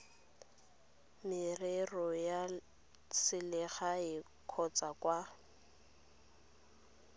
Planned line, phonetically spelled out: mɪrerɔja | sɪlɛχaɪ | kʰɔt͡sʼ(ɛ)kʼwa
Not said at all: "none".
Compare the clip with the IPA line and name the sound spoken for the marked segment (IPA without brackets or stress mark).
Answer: a